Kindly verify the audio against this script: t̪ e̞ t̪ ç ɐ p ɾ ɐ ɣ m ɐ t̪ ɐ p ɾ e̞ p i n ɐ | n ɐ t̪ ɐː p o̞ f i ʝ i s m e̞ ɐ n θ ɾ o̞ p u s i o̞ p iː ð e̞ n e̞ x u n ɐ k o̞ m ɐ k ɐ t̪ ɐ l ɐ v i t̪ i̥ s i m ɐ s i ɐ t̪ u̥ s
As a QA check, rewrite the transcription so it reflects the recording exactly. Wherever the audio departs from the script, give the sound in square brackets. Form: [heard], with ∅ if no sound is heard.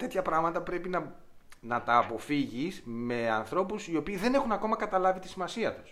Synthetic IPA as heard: t̪ e̞ t̪ ç ɐ p ɾ ɐ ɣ m ɐ t̪ ɐ p ɾ e̞ p i n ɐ | n ɐ t̪ ɐː p o̞ f i ʝ i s m e̞ ɐ n θ ɾ o̞ p u s i o̞ p iː ð e̞ n e̞ x u n ɐ k o̞ m ɐ k ɐ t̪ ɐ l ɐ v i t̪ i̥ s i m ɐ s i ɐ t̪ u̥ s